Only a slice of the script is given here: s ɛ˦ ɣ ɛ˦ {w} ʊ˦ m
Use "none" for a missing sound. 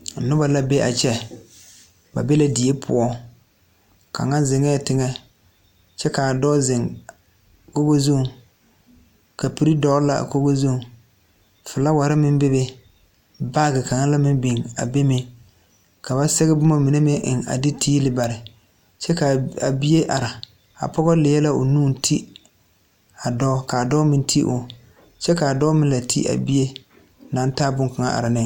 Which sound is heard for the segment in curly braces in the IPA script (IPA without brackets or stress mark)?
b